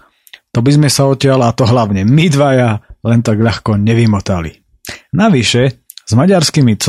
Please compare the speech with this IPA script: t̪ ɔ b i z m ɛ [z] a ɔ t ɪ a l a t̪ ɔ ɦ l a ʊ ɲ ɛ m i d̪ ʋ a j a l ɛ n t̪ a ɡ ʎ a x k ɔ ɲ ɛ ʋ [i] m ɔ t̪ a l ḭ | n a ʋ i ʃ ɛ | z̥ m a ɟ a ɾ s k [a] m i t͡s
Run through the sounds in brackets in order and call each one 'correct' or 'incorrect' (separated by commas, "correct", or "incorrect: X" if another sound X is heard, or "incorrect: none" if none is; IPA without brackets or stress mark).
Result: incorrect: s, correct, incorrect: i